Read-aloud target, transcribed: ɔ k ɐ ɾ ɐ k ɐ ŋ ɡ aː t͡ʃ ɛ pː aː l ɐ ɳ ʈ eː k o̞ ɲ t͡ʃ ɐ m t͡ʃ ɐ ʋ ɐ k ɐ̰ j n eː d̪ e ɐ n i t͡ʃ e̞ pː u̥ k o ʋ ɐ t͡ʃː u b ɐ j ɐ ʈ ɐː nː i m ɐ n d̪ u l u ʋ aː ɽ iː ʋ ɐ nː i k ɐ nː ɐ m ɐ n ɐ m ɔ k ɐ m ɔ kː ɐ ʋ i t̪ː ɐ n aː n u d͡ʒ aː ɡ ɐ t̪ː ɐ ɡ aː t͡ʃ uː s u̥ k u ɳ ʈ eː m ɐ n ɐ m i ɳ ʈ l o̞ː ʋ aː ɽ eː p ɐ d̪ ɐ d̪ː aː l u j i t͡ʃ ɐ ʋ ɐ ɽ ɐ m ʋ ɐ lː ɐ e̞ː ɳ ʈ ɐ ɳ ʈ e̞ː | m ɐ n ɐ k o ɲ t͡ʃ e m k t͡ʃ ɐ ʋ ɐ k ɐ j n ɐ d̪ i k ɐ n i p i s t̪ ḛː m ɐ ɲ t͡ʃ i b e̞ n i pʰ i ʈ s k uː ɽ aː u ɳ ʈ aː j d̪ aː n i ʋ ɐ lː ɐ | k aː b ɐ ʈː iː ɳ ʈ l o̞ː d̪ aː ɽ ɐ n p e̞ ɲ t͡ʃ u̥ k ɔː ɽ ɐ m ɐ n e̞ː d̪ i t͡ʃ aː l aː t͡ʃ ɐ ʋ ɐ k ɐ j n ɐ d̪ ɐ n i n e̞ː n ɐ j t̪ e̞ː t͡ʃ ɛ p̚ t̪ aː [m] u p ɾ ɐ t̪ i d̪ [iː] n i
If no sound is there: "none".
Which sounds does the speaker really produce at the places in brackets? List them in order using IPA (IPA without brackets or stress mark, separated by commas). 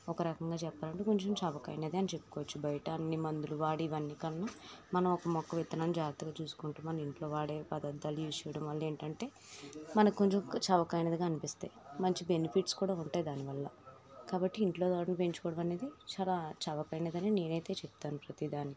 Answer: n, aː